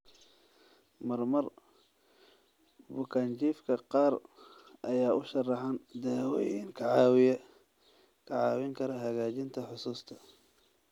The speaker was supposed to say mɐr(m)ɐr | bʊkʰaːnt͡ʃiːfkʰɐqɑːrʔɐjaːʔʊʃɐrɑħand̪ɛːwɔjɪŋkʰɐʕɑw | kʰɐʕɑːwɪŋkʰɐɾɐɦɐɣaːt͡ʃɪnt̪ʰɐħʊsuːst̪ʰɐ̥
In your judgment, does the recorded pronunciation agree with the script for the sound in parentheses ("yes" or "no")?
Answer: yes